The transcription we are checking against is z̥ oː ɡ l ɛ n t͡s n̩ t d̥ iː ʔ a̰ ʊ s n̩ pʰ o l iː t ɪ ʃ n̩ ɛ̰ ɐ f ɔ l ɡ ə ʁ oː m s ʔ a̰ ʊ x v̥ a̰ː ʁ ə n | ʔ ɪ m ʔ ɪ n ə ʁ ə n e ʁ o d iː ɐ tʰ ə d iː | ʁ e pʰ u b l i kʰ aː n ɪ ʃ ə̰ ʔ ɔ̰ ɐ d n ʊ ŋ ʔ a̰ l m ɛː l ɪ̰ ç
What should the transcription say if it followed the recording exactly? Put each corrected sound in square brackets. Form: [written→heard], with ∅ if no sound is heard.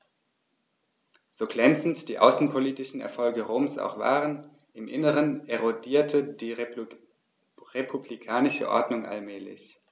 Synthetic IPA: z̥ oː ɡ l ɛ n t͡s n̩ t d̥ iː ʔ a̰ ʊ s n̩ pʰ o l iː t ɪ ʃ n̩ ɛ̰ ɐ f ɔ l ɡ ə ʁ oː m s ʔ a̰ ʊ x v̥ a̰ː ʁ ə n | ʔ ɪ m ʔ ɪ n ə ʁ ə n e ʁ o d iː ɐ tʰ ə d iː | ʁ e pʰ u b l i kʰ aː n ɪ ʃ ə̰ ʔ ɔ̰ ɐ d n ʊ ŋ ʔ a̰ l m ɛː l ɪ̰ ç